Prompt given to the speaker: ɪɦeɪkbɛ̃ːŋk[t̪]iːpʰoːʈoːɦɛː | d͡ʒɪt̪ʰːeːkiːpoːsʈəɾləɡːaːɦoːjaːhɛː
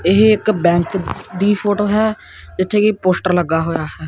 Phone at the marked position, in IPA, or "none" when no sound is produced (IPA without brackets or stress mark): d̪